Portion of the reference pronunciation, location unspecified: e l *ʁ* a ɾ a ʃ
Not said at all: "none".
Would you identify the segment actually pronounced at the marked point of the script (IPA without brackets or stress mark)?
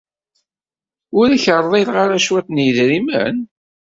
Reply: ʁ